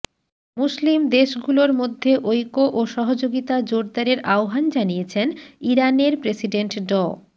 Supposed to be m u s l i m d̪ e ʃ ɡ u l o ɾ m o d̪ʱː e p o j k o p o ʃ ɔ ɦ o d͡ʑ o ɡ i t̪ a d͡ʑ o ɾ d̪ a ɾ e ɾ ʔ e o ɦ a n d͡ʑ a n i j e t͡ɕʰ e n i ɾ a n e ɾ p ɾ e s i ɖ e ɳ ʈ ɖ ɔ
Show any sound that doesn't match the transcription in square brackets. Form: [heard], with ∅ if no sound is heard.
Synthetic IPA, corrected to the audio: m u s l i m d̪ e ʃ ɡ u l o ɾ m o d̪ʱː e [ʔ] o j k o [ʔ] o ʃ ɔ ɦ o d͡ʑ o ɡ i t̪ a d͡ʑ o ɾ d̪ a ɾ e ɾ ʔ [a] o ɦ a n d͡ʑ a n i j e t͡ɕʰ e n i ɾ a n e ɾ p ɾ e s i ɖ e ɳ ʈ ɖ ɔ